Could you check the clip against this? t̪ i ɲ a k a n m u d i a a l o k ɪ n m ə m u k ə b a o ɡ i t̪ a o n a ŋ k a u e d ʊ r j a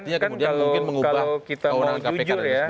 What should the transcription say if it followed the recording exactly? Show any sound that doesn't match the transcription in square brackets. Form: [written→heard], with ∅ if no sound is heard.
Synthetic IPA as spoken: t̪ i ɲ a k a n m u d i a a l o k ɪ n m ə [m→ŋ] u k [ə→a] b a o [ɡ→k] i t̪ a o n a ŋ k a u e [d→d͡ʒ] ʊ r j a